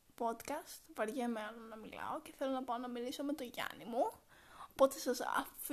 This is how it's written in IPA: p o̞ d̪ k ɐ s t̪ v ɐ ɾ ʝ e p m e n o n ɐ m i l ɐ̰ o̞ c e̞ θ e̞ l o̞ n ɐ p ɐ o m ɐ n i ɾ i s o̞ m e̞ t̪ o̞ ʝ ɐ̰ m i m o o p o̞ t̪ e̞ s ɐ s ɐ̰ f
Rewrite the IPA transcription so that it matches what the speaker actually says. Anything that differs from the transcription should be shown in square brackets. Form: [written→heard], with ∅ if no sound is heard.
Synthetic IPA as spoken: p o̞ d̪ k ɐ s t̪ v ɐ ɾ ʝ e [p→∅] m e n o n ɐ m i l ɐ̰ o̞ c e̞ θ e̞ l o̞ n ɐ p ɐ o [m→n] ɐ [n→m] i [ɾ→l] i s o̞ m e̞ t̪ o̞ ʝ ɐ̰ [m→n] i m [o→u] o p o̞ t̪ e̞ s ɐ s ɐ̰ f